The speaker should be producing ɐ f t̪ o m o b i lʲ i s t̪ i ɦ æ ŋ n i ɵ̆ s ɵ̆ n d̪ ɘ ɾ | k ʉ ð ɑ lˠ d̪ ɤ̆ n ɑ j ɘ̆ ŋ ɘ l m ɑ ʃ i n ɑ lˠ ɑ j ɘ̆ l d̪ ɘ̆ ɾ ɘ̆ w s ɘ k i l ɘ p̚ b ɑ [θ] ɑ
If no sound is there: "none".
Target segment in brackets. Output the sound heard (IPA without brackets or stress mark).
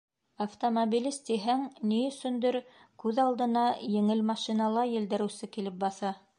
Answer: θ